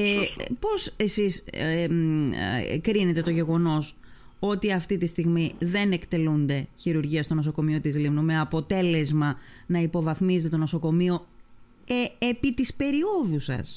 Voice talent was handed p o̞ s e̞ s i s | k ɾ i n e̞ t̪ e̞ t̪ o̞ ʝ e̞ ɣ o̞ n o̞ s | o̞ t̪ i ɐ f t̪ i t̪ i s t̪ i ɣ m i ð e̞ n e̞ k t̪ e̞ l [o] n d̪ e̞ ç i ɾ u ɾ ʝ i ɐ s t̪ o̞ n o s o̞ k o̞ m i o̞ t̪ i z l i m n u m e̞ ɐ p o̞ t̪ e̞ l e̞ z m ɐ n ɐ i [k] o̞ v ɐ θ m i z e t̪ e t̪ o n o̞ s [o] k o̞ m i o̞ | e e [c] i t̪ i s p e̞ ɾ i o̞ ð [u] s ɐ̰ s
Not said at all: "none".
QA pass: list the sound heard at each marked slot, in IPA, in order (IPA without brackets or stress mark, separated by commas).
u, p, o, p, u